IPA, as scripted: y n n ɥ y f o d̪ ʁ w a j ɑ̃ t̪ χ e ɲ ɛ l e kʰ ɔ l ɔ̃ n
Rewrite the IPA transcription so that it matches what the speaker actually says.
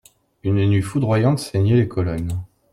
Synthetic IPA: y n n ɥ i f u d̪ ʁ w a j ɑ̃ t̪ s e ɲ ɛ l e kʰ ɔ l ɔ n